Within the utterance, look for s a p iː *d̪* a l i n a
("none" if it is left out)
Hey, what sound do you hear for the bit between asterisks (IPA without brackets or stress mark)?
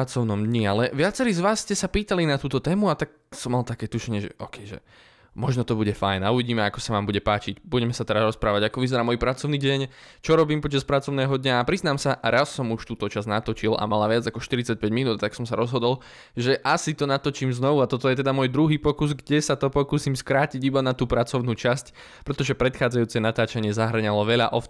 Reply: t̪